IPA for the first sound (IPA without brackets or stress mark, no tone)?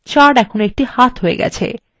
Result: t͡ɕ